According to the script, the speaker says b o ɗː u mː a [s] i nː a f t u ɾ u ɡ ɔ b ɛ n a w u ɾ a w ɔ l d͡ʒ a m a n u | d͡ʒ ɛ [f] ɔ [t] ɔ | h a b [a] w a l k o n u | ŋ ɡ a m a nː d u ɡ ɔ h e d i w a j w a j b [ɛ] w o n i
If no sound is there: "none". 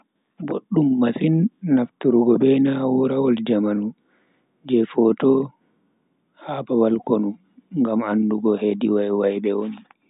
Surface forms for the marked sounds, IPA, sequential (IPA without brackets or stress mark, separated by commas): s, f, t, a, ɛ